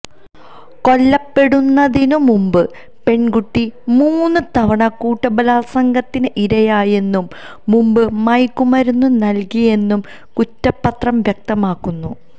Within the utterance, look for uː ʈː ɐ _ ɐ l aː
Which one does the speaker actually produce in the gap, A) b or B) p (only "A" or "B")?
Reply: A